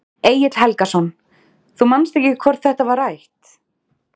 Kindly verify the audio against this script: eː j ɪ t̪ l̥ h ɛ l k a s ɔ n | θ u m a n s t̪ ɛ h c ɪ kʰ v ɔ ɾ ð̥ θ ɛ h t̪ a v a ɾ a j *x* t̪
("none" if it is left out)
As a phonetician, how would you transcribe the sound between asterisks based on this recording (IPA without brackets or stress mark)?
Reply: h